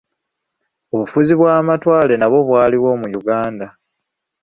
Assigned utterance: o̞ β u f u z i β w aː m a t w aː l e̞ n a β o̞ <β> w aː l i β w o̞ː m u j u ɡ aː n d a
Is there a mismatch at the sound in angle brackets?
no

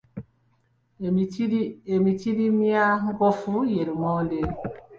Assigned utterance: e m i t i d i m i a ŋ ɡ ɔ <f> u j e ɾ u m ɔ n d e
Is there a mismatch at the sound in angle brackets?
no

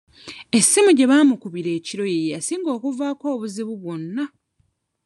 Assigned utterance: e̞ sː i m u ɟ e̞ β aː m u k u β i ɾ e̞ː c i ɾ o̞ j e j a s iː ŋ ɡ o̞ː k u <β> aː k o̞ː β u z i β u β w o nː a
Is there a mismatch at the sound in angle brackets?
yes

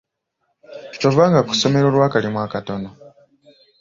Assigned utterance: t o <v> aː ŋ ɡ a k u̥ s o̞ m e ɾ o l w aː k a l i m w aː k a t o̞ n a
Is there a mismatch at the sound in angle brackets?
no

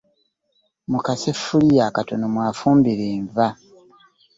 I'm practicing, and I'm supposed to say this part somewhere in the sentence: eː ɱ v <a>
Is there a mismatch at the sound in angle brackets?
no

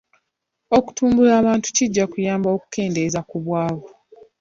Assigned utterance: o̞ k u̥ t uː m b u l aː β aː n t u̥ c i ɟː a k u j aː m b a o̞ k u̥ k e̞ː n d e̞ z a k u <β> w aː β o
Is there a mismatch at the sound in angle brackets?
no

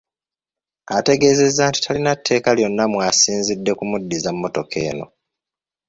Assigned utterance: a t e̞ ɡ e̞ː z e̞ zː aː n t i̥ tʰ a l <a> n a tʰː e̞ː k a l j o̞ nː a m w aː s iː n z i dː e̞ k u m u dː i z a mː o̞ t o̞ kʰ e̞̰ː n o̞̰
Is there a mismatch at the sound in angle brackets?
yes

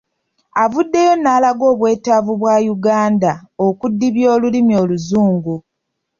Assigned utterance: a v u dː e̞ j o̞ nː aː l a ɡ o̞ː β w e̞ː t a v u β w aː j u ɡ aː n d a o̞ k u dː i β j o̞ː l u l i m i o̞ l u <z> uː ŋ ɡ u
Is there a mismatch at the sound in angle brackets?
no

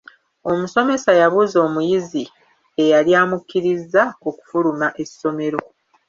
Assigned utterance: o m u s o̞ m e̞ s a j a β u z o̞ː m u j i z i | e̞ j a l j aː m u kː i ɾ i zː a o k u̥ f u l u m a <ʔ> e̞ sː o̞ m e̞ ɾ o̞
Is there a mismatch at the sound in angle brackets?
no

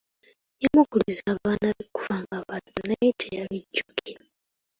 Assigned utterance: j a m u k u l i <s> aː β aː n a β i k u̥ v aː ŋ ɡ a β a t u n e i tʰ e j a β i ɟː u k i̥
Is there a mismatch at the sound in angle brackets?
yes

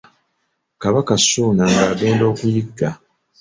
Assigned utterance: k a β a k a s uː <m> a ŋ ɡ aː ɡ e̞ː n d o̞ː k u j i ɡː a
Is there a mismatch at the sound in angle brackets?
yes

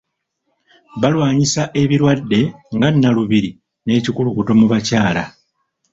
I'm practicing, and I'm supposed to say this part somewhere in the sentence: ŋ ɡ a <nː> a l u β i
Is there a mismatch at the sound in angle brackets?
no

